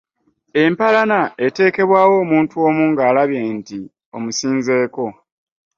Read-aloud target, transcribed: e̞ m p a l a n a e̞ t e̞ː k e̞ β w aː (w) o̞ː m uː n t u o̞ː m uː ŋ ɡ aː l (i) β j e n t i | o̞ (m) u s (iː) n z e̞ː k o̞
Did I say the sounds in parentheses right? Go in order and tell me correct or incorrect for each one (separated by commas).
correct, incorrect, correct, correct